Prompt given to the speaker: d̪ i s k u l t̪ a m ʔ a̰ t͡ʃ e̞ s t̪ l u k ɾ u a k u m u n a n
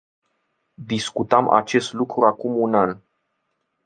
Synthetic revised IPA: d̪ i s k u t̪ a m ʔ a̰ t͡ʃ e̞ s t̪ l u k ɾ u a k u m u n a n